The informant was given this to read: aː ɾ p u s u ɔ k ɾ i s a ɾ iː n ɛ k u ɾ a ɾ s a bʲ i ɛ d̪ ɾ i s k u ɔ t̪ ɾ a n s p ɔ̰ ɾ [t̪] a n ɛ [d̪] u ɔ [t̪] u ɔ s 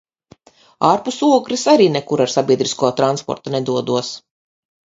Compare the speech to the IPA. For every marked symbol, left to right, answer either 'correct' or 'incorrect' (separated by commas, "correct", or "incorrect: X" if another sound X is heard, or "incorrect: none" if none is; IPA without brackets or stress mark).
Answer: correct, correct, incorrect: d̪